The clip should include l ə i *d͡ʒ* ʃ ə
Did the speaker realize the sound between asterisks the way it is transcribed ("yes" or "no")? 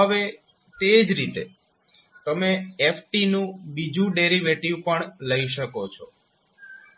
no